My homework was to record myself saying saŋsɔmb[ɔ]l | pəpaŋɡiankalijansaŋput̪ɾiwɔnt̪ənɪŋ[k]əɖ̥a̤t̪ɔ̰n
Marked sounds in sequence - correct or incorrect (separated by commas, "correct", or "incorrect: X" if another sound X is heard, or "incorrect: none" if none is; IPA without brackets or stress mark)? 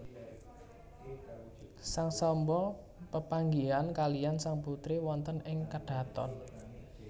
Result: correct, correct